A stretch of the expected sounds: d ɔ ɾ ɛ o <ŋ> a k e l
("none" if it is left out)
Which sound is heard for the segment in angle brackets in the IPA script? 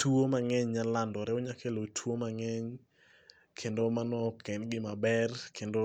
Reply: ɲ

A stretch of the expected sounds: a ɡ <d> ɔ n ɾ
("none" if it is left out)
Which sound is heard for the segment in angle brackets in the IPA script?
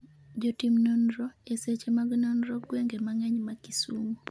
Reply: n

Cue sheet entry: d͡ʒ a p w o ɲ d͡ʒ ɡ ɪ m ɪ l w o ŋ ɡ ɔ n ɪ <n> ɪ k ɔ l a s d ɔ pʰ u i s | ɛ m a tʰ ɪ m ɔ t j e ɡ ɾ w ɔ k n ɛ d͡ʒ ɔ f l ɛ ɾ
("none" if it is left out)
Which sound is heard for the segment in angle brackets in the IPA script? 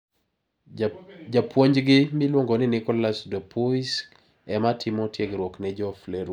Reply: n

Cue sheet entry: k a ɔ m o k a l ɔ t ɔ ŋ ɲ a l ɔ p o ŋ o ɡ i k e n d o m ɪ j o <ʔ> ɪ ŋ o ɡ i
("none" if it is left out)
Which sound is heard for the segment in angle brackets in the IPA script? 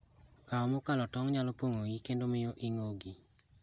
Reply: ʔ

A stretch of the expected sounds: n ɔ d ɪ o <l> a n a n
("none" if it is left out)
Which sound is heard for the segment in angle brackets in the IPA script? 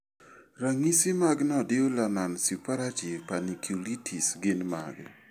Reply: l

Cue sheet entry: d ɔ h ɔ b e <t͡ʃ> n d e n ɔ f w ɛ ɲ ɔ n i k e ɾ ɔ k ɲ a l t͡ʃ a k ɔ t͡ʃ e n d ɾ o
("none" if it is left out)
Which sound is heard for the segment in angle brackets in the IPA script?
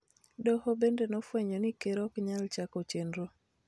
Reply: none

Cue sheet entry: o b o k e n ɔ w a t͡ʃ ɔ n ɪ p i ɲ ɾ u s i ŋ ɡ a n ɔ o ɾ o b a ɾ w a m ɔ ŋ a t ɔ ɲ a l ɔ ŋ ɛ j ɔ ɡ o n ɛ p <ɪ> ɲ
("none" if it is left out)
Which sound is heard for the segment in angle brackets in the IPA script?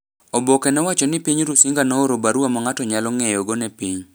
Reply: i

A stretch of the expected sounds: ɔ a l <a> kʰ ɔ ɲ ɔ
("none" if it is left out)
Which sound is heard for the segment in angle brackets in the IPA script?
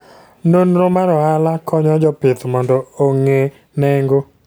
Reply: a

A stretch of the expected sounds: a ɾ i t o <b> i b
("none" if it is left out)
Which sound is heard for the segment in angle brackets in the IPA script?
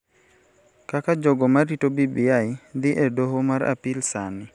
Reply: b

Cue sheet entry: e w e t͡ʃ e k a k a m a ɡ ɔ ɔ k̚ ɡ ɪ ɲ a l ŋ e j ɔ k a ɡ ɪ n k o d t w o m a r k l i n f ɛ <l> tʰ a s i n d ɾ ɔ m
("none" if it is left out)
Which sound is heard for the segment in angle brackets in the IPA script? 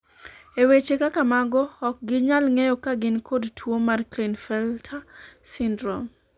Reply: l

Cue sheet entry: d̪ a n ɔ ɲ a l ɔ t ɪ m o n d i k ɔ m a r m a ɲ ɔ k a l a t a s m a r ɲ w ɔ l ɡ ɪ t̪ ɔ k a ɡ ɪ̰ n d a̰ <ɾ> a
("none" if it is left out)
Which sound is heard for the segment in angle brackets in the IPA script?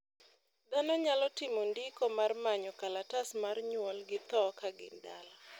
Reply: l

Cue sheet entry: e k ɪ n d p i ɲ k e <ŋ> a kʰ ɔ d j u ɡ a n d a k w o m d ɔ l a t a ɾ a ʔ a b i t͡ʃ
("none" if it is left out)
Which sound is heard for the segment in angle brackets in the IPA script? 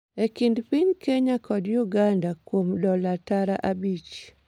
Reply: ɲ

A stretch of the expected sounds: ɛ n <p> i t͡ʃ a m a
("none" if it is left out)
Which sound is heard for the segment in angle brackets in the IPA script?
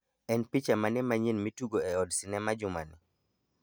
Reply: p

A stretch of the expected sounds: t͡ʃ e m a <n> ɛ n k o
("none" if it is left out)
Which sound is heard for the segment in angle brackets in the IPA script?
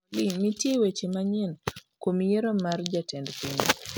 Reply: ɲ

